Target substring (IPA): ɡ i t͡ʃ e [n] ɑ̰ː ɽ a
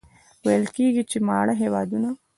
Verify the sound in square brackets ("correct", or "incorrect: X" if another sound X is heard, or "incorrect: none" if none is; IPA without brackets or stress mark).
incorrect: m